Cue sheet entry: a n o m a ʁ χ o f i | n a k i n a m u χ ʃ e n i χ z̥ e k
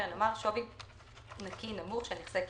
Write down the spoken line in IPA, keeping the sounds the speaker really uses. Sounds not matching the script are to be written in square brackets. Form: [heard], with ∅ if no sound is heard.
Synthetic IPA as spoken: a n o m a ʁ [ʃ] o [v] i | n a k i n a m u χ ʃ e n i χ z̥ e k